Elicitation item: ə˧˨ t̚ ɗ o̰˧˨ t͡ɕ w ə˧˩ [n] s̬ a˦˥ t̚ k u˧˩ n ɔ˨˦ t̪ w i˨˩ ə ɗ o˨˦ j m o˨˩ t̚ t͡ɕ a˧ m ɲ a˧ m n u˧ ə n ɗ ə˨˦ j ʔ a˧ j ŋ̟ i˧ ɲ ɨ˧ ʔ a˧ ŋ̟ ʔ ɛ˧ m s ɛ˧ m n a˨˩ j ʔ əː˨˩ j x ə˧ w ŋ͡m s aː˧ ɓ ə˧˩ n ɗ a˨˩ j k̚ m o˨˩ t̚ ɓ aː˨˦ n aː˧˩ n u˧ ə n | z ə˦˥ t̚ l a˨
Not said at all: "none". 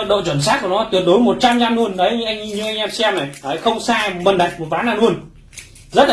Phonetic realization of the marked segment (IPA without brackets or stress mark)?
n